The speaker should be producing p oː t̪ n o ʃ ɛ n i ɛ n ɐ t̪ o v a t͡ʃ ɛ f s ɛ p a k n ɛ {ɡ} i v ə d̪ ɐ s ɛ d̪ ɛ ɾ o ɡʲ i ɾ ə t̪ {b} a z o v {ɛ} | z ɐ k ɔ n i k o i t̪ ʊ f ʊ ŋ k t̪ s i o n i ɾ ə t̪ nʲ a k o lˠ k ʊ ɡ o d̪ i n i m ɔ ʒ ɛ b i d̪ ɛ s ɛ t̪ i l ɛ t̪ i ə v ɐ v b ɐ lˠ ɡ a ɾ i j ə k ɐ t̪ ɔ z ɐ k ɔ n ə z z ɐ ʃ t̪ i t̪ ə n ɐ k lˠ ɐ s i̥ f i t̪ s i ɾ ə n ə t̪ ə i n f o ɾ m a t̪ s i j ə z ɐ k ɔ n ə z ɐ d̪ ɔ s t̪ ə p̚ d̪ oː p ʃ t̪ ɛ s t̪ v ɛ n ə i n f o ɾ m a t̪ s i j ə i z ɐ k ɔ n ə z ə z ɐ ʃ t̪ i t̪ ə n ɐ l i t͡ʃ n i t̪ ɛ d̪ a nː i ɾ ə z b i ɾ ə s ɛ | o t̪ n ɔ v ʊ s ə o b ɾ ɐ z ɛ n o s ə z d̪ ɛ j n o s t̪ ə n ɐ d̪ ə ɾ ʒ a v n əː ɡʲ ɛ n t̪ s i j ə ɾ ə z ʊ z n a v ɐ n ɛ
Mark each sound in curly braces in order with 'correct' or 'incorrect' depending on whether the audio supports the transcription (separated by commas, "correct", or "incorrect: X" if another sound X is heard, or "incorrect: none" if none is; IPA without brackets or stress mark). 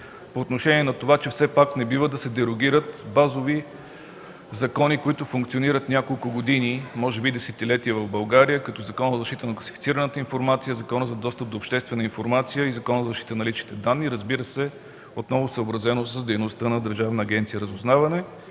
incorrect: b, correct, incorrect: i